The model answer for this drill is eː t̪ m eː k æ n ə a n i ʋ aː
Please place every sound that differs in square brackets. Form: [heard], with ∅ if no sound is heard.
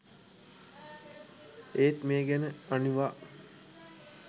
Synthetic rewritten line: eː t̪ m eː [ɡ] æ n ə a n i ʋ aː